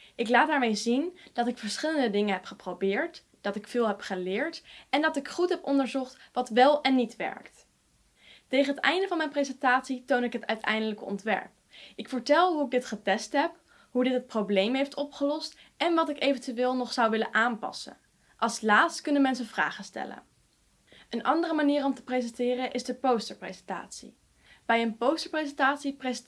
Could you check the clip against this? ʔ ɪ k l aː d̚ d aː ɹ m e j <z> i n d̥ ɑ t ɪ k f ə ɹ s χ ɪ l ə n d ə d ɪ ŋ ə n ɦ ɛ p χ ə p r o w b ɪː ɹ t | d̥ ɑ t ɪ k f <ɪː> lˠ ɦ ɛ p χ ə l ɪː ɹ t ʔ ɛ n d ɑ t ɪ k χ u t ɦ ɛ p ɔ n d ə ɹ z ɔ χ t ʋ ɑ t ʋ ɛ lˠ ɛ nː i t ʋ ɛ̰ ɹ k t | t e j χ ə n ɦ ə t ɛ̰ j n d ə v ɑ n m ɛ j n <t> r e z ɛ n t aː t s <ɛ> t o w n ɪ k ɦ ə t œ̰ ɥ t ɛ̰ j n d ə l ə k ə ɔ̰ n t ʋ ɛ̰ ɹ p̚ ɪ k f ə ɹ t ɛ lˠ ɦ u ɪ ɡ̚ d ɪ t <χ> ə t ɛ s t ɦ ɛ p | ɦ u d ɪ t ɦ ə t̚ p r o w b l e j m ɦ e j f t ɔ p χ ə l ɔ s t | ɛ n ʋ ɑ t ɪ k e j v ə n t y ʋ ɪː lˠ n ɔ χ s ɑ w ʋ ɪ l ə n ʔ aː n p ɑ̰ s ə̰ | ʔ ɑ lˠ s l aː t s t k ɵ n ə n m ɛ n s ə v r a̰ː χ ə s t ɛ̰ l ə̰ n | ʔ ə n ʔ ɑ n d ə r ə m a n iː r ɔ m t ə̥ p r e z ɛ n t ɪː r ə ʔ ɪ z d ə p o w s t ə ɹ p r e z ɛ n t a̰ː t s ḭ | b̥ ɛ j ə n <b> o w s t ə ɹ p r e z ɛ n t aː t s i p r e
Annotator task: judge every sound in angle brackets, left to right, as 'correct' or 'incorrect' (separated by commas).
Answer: correct, correct, incorrect, incorrect, correct, incorrect